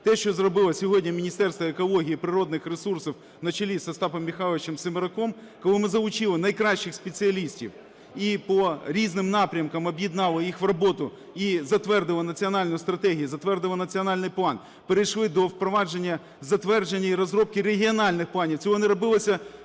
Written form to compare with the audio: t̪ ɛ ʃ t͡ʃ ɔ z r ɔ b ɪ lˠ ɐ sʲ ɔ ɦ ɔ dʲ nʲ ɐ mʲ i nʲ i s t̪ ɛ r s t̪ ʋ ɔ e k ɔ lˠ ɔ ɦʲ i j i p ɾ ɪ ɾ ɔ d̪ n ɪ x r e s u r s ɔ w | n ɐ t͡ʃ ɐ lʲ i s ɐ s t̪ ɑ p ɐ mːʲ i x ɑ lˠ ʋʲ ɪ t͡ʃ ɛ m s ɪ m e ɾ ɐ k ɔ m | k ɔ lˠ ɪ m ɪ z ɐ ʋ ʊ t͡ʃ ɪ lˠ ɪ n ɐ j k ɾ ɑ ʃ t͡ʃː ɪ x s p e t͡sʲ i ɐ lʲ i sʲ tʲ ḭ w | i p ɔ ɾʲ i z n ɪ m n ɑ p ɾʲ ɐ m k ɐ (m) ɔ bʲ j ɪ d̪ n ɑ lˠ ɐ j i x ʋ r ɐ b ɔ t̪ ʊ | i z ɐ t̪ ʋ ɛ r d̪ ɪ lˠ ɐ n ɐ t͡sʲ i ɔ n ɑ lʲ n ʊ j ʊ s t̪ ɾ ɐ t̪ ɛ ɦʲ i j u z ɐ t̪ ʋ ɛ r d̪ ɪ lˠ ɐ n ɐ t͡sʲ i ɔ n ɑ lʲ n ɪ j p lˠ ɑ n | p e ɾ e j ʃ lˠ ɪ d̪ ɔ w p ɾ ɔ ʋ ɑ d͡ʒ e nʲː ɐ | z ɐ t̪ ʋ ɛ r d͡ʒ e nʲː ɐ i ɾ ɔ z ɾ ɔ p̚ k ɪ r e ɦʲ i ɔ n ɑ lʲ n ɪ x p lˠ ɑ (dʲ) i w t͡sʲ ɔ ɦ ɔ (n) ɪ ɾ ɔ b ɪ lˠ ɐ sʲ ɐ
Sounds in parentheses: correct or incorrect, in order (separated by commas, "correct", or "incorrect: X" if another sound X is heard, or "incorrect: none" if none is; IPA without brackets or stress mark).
correct, incorrect: nʲ, correct